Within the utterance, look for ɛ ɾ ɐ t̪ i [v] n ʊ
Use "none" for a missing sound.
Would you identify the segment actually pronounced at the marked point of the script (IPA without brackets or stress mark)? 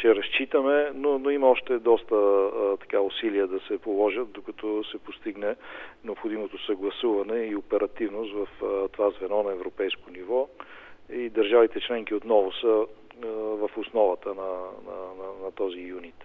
v